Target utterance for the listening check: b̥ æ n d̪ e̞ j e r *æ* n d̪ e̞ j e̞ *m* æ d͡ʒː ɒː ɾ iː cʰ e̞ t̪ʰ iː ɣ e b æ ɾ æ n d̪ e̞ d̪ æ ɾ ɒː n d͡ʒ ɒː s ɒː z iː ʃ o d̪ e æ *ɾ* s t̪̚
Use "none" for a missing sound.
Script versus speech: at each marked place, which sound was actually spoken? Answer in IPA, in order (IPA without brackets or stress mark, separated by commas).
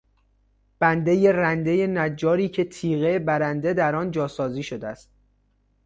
æ, n, none